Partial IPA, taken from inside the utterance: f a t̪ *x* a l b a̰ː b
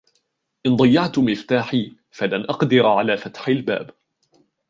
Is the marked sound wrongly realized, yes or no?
yes